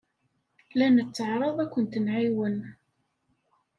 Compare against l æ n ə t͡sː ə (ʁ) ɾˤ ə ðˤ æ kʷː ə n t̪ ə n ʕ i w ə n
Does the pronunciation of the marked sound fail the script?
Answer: yes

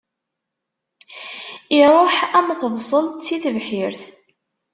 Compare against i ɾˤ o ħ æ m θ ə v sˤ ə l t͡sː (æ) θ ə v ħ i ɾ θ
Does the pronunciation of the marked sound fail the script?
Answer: yes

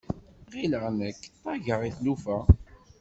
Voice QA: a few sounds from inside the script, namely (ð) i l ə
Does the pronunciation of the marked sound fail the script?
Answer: yes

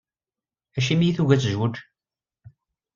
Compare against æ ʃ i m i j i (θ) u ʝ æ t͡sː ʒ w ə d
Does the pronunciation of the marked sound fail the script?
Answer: no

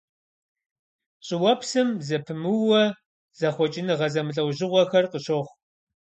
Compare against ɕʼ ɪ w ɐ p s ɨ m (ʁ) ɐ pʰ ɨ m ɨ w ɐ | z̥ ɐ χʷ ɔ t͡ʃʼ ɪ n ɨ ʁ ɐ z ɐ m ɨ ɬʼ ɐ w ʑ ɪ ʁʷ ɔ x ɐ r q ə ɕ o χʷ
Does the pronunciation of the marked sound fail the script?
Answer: yes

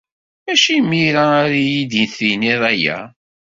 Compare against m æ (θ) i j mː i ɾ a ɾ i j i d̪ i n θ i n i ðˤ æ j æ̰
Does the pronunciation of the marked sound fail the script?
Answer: yes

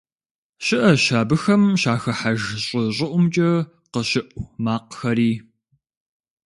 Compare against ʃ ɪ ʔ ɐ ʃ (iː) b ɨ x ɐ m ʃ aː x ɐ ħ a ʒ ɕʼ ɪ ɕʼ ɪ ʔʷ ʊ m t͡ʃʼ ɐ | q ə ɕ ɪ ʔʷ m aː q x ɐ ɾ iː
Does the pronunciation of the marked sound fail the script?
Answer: yes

